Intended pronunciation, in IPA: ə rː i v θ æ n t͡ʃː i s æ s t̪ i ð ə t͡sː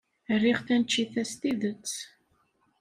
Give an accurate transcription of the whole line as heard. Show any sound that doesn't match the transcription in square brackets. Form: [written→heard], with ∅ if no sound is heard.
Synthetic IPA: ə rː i [v→ʁ] θ æ n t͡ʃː i [s→θ] æ s t̪ i ð ə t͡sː